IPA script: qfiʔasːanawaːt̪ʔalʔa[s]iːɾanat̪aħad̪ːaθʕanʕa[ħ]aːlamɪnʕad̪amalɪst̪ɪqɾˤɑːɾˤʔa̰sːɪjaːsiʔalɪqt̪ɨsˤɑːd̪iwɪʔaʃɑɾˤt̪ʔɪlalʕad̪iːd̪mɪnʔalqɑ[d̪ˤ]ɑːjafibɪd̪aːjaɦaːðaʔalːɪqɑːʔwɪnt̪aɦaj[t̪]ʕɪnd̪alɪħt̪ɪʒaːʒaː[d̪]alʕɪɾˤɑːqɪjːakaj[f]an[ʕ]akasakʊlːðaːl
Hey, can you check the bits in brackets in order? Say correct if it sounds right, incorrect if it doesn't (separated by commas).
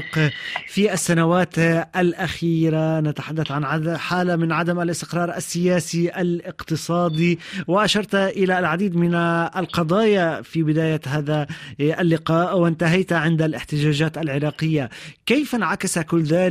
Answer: incorrect, correct, correct, correct, incorrect, correct, correct